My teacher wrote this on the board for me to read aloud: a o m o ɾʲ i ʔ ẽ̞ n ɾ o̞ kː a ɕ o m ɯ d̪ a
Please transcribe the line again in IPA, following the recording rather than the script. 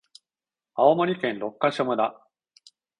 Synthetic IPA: a o m o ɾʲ i k ẽ̞ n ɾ o̞ kː a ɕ o m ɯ d̪ a